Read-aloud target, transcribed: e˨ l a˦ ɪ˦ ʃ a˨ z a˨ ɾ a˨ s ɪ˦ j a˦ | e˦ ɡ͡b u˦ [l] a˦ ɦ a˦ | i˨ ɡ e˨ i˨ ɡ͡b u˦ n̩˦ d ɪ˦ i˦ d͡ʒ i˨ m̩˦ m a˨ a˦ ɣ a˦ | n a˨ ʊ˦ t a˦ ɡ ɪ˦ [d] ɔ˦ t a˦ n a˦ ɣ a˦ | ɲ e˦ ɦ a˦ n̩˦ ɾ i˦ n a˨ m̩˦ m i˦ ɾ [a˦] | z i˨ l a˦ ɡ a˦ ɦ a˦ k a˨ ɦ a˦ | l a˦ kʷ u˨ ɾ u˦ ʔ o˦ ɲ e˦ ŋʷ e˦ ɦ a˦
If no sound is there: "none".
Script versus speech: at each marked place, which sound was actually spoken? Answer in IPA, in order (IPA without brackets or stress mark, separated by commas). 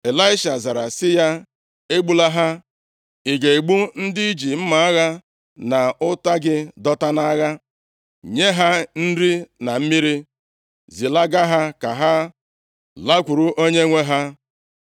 l, d, i˦